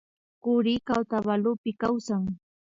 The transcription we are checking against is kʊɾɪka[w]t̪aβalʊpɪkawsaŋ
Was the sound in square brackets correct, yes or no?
yes